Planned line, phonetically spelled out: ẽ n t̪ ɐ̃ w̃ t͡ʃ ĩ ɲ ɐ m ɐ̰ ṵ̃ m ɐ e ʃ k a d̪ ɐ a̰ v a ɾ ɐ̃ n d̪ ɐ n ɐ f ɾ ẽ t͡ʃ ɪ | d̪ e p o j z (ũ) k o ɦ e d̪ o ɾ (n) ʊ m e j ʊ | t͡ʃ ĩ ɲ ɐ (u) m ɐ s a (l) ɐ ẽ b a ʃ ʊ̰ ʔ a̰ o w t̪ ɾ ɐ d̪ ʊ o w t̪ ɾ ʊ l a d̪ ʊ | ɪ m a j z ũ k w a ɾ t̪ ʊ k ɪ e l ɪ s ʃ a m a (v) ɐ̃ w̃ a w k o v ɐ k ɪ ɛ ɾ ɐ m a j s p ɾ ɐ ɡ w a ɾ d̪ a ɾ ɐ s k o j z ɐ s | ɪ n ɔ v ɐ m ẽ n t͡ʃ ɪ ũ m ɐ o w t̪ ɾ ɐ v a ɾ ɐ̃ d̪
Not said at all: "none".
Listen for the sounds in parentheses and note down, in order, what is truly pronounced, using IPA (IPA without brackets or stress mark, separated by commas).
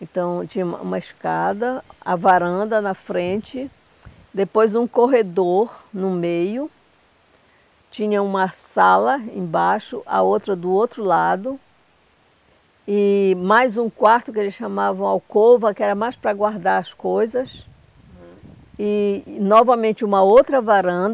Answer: ũ, n, ũ, l, v